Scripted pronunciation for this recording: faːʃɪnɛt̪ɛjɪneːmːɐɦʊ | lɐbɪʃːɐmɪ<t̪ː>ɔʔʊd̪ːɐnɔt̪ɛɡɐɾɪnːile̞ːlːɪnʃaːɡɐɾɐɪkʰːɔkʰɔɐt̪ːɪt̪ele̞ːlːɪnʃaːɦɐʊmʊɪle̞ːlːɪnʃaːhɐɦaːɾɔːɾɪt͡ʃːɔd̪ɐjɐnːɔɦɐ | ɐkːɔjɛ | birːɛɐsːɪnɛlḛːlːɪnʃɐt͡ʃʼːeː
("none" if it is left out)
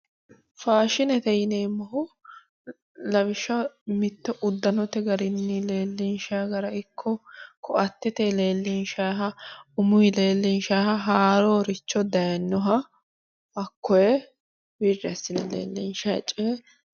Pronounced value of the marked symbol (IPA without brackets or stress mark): t̪ː